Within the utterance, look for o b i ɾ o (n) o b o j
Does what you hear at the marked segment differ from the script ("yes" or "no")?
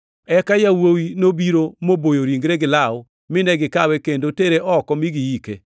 yes